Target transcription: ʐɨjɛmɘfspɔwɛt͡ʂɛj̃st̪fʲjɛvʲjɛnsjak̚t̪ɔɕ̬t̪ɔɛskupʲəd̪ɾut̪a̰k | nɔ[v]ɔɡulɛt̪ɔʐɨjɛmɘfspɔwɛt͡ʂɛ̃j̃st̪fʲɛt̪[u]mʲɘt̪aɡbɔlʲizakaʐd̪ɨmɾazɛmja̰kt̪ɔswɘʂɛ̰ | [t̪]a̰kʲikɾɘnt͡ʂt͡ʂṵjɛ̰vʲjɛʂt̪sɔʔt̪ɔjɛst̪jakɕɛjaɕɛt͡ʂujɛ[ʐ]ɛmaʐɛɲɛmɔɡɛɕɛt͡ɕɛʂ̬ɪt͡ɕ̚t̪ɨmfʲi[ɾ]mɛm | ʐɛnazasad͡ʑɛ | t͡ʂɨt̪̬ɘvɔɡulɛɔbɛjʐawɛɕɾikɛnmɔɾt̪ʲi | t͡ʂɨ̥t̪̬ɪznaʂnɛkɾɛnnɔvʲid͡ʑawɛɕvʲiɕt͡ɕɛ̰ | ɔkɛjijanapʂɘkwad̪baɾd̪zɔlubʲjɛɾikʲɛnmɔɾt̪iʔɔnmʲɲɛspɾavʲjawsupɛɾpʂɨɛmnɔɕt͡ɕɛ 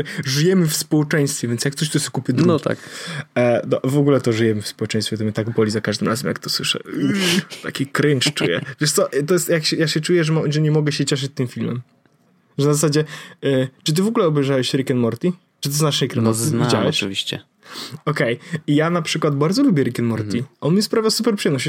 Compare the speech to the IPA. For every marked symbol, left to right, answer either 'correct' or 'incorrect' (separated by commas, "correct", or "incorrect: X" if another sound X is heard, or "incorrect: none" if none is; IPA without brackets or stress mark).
correct, incorrect: ɔ, correct, correct, incorrect: l